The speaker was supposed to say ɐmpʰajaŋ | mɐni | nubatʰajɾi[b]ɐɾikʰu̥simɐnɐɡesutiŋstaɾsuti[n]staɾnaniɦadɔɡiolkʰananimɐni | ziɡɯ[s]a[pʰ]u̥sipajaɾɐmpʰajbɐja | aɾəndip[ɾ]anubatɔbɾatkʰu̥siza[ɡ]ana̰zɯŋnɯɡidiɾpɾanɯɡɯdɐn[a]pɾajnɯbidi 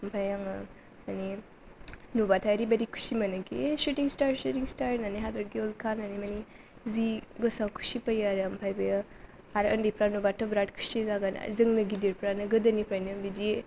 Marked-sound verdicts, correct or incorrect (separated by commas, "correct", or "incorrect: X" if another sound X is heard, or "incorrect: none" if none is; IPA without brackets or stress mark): correct, incorrect: ŋ, correct, incorrect: kʰ, correct, correct, incorrect: i